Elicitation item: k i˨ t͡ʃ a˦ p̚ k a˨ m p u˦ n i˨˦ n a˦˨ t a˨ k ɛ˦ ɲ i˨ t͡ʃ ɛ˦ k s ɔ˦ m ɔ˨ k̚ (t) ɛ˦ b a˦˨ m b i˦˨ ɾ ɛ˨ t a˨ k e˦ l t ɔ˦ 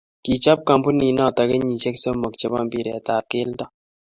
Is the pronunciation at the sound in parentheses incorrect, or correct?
incorrect: t͡ʃ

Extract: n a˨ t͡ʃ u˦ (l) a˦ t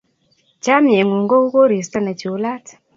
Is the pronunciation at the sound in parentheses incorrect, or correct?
correct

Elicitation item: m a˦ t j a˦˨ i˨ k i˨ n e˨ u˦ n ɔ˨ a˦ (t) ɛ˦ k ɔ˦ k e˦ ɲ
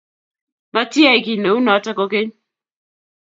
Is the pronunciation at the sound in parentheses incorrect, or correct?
correct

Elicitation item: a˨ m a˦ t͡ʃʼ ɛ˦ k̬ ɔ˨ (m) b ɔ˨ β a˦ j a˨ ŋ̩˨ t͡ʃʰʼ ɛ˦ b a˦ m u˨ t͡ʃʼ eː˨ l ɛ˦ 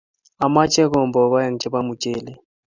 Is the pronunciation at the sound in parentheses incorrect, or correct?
correct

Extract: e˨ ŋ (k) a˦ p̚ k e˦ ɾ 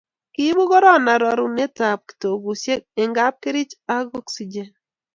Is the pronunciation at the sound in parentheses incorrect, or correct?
incorrect: ɡ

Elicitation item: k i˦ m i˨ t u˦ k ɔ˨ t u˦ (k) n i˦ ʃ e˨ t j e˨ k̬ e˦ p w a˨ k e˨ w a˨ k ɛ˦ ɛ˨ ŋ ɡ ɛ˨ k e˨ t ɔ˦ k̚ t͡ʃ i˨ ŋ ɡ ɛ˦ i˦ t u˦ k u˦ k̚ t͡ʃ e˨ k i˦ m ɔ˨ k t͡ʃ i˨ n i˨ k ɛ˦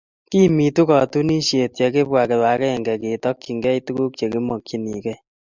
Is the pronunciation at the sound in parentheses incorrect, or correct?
incorrect: none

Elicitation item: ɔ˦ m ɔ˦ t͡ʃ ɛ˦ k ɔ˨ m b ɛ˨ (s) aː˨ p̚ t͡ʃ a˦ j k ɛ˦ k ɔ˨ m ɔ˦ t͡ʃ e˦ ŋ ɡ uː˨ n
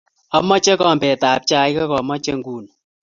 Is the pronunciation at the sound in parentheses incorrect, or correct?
incorrect: t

